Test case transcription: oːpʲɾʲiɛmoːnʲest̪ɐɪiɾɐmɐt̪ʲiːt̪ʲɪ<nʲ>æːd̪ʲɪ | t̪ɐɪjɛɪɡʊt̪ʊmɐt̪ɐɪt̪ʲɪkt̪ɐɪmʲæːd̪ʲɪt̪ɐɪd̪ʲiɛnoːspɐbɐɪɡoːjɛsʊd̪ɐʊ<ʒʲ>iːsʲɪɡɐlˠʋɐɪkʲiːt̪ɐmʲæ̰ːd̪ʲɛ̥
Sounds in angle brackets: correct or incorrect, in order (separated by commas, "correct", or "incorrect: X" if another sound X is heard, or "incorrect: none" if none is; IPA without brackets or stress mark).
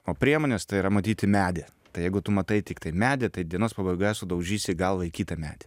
incorrect: mʲ, correct